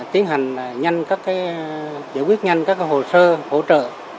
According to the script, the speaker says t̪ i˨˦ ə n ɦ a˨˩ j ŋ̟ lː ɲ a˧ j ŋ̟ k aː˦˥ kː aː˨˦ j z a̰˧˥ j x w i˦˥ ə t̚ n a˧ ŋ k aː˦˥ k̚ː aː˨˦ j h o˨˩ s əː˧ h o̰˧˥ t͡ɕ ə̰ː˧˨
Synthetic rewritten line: t̪ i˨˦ ə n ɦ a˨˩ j ŋ̟ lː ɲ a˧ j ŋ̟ k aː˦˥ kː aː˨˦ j z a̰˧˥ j k w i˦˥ ə t̚ ɲ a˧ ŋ k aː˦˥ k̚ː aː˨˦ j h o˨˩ s əː˧ h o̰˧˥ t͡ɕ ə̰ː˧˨